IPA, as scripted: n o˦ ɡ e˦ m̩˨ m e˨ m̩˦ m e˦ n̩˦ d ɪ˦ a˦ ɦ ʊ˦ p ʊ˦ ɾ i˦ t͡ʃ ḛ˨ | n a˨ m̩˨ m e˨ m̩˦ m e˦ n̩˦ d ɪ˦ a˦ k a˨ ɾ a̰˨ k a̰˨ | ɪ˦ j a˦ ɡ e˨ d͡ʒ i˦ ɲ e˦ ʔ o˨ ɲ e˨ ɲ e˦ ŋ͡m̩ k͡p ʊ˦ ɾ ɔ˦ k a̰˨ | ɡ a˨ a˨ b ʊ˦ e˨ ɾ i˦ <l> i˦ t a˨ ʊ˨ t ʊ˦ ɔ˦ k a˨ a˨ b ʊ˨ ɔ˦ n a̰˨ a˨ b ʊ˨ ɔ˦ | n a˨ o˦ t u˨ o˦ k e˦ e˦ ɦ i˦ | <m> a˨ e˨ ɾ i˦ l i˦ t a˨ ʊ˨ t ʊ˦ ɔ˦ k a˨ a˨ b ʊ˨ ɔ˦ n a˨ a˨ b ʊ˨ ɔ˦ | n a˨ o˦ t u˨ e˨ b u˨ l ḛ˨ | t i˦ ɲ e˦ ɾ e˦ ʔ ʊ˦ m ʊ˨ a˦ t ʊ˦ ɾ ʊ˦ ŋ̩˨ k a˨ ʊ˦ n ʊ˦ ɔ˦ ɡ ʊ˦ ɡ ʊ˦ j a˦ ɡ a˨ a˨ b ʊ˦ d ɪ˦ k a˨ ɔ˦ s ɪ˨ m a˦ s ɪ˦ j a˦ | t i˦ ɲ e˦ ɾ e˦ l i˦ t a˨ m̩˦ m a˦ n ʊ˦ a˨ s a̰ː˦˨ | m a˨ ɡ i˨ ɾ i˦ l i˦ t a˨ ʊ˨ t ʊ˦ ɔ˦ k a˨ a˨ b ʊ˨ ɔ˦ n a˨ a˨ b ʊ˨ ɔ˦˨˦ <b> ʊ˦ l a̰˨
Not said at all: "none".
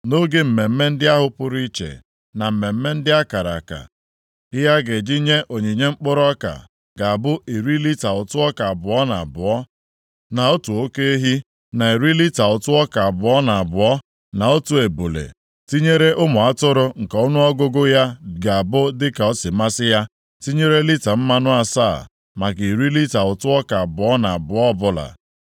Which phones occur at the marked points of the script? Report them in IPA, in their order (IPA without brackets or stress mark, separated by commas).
l, n, b